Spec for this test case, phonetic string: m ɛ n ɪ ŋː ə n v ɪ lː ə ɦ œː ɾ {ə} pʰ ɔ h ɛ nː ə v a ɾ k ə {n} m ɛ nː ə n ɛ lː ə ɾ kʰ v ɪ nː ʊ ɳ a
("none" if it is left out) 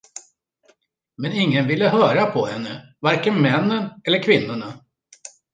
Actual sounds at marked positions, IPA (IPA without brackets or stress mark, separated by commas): a, n